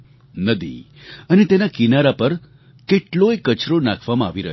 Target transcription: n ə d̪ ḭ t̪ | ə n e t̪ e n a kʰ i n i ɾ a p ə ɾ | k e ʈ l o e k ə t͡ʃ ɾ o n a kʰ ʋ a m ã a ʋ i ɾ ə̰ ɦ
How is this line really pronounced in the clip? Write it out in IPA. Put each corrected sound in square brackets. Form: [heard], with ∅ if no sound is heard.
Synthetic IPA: n ə d̪ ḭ [∅] | ə n e t̪ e n a [k] i n [a] ɾ a p ə ɾ | k e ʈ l o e k ə t͡ʃ ɾ o n a kʰ ʋ a m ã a ʋ i ɾ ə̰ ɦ